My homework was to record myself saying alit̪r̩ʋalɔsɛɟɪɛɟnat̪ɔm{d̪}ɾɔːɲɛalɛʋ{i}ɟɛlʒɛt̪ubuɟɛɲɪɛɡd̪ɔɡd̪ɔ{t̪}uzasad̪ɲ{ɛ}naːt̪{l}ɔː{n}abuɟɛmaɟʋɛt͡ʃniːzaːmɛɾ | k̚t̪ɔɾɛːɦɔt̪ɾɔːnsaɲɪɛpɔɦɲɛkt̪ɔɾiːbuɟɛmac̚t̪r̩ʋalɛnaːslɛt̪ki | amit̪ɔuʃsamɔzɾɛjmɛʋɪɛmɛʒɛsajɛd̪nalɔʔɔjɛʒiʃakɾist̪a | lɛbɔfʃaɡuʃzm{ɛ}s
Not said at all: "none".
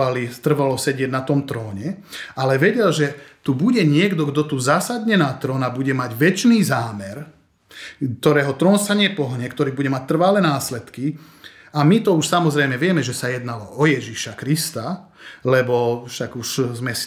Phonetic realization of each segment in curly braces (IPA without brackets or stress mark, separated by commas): t̪, ɛ, t̪, ɛ, ɾ, n, ɛ